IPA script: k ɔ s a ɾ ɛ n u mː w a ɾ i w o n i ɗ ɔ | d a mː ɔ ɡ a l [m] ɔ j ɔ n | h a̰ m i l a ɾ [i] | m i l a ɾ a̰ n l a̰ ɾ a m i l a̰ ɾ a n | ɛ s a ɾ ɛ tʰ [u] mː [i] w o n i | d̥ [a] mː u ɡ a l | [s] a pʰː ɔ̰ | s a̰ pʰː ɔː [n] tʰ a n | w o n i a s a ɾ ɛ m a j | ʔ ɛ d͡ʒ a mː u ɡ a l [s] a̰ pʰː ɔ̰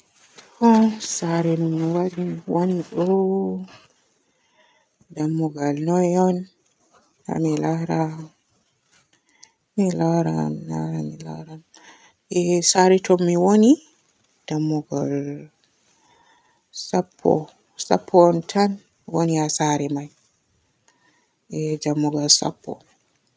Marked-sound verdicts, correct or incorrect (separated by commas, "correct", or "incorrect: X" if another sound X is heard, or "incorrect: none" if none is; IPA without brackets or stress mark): incorrect: n, incorrect: a, incorrect: ɔ, correct, correct, correct, correct, correct